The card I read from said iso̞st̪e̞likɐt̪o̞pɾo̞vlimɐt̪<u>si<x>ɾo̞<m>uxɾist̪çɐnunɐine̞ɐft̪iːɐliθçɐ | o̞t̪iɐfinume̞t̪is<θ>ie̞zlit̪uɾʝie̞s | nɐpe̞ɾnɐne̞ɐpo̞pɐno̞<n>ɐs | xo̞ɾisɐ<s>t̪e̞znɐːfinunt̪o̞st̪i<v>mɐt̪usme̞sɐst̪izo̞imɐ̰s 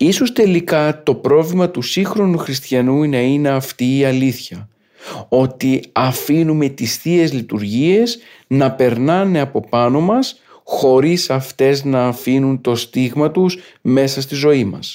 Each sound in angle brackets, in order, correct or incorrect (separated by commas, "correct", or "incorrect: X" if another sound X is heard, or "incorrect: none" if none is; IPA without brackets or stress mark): correct, correct, incorrect: n, correct, incorrect: m, incorrect: f, incorrect: ɣ